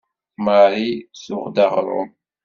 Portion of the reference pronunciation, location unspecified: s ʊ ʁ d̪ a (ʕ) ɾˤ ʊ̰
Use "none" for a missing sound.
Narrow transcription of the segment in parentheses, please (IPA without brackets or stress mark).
ʁ